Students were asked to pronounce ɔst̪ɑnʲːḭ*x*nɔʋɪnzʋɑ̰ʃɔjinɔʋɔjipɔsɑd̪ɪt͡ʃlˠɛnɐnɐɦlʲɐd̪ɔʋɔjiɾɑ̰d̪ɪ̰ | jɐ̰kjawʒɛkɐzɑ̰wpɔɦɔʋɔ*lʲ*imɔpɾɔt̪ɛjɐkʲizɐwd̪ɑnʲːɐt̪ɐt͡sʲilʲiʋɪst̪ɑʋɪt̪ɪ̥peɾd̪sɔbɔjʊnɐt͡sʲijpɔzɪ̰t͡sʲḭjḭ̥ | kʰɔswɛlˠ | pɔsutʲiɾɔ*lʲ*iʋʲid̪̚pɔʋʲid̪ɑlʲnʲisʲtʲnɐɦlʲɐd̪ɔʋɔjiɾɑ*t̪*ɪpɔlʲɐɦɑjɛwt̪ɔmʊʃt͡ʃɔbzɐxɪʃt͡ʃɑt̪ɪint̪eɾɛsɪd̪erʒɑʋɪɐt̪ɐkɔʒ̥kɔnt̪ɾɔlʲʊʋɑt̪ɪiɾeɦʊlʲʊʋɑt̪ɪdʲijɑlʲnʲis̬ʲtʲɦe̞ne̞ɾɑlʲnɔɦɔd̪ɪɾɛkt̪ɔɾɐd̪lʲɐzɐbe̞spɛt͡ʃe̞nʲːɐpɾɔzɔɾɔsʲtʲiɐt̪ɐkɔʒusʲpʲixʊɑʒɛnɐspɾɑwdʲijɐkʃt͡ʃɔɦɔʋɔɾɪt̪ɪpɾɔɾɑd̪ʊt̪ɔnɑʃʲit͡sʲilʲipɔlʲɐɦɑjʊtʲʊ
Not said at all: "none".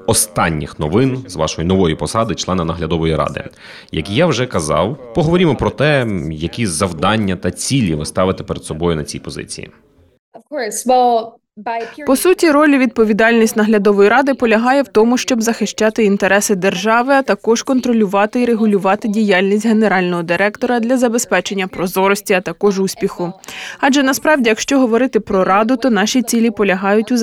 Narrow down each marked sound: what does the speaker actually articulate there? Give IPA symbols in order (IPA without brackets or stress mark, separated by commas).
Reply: x, ɾʲ, lʲ, d̪